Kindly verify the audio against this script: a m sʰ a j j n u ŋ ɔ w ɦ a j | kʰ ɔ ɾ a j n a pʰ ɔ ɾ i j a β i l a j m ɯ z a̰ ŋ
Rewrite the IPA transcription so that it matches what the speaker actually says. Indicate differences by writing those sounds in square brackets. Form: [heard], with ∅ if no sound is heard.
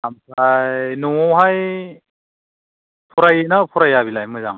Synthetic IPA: a m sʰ a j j n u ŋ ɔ w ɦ a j | [pʰ] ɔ ɾ a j n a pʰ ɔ ɾ [a] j a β i l a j m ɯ z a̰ ŋ